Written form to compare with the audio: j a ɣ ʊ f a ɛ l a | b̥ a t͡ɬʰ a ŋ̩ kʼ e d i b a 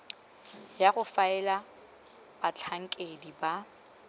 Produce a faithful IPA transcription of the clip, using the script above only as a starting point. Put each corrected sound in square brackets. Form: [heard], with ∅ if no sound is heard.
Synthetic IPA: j a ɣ ʊ f a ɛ l a | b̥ a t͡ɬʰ a ŋ̩ kʼ e d i b a